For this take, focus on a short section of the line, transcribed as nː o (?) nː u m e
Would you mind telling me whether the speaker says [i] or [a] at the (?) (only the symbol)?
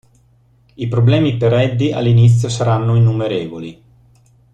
i